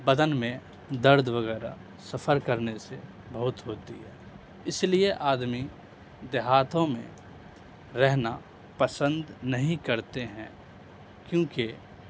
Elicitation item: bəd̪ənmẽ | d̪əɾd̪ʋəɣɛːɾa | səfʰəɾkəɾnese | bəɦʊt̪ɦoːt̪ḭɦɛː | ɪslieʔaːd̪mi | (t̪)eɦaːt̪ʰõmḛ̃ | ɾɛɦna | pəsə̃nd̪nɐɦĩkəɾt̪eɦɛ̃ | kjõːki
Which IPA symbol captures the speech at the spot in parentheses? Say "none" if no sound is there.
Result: d̪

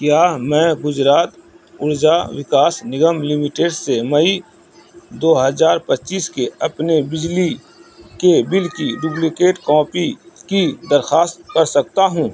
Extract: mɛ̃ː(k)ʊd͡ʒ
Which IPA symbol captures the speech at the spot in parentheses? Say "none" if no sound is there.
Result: ɡ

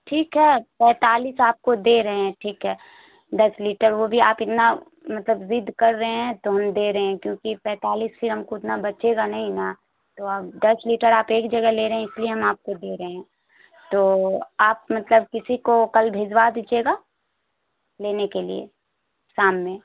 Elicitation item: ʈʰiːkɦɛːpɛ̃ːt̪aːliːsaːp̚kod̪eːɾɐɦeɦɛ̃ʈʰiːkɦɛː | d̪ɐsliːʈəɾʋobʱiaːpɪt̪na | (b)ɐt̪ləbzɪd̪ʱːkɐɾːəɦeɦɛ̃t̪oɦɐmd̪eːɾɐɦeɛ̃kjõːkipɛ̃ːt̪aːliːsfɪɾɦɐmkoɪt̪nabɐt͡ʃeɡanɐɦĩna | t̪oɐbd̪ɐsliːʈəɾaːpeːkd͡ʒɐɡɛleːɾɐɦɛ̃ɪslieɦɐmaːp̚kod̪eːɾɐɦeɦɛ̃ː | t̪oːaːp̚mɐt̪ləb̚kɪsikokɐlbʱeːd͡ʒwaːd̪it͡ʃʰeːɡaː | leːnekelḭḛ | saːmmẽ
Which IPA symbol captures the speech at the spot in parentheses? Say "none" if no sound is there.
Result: m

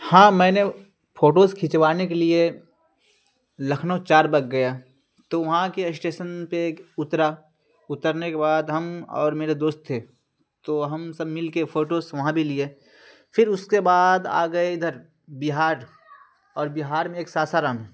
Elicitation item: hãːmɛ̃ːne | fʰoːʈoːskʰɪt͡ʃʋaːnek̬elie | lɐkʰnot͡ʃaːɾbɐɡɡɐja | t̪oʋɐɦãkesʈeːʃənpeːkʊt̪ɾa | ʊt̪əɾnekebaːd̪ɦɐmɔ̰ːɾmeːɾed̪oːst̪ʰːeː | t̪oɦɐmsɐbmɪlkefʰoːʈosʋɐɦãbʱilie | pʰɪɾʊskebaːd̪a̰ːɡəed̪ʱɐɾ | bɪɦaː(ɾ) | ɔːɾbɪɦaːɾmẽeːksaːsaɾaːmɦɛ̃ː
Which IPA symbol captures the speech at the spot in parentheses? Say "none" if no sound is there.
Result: ɾ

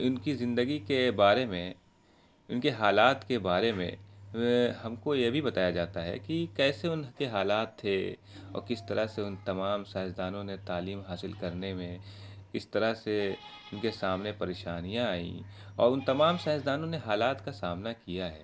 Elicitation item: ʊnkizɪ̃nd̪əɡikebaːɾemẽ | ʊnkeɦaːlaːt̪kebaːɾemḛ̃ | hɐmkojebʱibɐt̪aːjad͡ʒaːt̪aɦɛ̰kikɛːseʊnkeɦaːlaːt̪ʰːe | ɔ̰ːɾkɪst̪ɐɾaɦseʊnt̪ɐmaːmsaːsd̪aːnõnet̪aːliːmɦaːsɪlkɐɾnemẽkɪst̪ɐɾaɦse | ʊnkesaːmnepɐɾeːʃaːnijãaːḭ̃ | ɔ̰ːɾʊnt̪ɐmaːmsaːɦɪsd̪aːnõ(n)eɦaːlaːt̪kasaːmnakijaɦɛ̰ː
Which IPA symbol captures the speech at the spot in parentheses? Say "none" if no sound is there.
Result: n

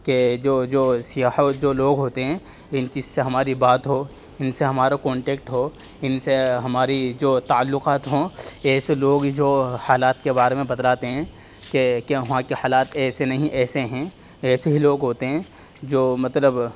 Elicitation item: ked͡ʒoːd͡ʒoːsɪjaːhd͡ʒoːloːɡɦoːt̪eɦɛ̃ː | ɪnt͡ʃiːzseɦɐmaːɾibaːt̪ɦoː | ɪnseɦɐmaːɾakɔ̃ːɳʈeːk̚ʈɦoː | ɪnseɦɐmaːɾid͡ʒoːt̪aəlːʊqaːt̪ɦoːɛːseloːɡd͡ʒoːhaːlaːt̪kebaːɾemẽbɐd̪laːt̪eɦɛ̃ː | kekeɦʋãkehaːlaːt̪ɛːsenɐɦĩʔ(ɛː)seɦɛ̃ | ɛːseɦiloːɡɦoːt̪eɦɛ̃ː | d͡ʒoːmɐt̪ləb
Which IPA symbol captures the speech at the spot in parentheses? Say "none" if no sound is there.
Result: ɛː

